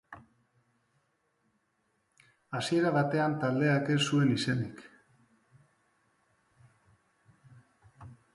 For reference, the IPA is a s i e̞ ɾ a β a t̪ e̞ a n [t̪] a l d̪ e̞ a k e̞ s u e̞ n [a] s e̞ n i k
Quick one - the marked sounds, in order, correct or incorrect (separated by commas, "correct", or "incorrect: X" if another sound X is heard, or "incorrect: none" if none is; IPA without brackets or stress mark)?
correct, incorrect: i